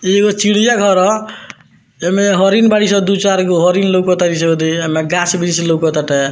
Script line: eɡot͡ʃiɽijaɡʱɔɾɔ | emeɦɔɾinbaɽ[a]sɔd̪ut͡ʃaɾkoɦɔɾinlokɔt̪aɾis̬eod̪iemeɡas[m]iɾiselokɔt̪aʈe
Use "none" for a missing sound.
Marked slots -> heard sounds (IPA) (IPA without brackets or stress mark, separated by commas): i, b